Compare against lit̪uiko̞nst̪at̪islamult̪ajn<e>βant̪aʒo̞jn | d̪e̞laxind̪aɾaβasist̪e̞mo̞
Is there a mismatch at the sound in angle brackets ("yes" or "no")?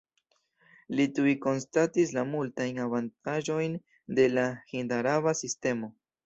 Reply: yes